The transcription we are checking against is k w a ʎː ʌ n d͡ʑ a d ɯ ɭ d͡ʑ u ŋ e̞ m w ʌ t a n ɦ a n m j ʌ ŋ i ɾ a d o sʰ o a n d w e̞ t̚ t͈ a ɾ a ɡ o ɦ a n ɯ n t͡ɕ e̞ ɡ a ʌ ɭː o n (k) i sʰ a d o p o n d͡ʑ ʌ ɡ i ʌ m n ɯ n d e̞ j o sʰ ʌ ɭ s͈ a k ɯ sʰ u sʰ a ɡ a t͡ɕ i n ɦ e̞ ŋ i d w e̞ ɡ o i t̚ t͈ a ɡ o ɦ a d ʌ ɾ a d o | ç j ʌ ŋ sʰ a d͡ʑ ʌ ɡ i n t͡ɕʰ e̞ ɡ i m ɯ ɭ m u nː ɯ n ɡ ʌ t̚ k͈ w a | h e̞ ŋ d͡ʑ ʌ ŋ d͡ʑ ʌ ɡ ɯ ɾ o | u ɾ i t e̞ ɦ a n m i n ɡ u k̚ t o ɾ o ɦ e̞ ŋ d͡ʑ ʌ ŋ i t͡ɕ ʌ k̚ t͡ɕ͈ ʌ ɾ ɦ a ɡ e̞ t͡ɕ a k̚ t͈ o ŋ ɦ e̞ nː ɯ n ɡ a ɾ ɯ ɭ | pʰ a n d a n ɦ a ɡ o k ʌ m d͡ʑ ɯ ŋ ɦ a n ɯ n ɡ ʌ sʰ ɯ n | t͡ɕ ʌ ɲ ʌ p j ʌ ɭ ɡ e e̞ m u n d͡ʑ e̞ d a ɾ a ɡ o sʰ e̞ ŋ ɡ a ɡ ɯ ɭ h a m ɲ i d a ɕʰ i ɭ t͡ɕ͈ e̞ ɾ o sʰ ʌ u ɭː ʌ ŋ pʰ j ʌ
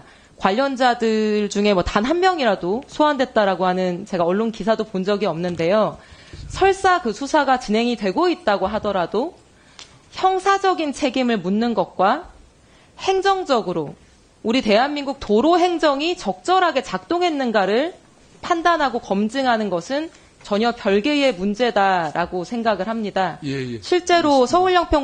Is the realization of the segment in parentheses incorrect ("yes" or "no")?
no